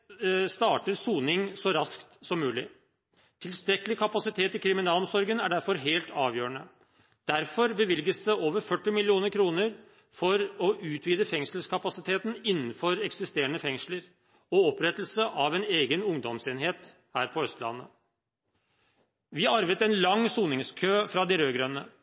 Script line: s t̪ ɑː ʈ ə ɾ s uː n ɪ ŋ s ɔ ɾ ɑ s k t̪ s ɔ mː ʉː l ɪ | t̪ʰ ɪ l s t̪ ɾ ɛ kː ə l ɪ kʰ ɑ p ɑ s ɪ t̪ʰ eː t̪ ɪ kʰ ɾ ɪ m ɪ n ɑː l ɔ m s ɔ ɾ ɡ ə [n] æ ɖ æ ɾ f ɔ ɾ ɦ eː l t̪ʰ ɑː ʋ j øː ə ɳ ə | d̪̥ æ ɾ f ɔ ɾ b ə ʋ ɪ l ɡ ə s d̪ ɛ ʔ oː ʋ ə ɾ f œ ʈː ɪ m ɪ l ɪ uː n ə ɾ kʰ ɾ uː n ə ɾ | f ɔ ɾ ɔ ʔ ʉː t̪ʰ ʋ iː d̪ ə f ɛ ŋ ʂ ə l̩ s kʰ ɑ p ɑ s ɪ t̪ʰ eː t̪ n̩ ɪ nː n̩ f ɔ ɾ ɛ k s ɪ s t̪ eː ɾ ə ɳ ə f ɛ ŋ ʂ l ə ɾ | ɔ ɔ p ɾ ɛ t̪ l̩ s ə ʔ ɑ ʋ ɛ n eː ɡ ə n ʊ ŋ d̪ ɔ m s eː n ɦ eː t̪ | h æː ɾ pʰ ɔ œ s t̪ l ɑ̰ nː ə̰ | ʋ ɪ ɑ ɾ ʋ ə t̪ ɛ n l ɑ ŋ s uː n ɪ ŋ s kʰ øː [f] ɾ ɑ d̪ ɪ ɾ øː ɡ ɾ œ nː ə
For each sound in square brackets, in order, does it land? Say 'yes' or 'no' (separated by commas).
yes, yes